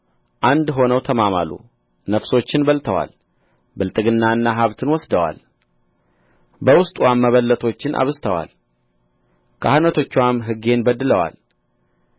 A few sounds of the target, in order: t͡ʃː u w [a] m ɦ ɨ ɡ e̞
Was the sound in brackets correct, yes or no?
yes